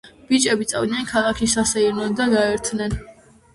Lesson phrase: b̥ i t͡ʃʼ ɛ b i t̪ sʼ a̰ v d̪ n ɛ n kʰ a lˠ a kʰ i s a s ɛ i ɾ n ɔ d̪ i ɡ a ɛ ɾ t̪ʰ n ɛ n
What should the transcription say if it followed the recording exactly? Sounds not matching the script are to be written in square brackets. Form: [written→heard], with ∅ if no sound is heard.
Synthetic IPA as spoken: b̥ i t͡ʃʼ ɛ b i t̪ sʼ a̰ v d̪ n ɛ n kʰ a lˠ a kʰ i s a s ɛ i ɾ n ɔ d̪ [i→a] ɡ a ɛ ɾ t̪ʰ n ɛ n